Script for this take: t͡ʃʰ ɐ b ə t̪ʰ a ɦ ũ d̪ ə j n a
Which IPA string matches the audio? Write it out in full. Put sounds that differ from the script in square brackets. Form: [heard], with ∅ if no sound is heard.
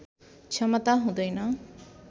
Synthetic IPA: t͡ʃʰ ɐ [m] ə [t̪] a ɦ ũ d̪ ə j n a